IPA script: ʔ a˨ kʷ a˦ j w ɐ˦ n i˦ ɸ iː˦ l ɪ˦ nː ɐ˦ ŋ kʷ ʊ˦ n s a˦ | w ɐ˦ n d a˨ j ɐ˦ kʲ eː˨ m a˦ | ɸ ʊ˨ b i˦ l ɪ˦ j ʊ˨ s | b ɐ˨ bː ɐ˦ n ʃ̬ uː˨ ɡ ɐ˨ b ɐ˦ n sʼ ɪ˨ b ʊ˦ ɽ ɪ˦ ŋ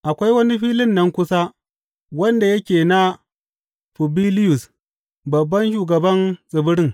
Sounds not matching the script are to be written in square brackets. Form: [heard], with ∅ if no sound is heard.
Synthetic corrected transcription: ʔ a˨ kʷ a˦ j w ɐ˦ n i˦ ɸ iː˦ l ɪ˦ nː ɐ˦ ŋ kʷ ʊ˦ [∅] s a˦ | w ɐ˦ n d a˨ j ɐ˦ kʲ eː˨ [n] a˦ | ɸ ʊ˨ b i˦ l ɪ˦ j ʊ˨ s | b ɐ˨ bː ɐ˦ n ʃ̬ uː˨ ɡ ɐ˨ b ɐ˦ n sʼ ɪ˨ b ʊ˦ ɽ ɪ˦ ŋ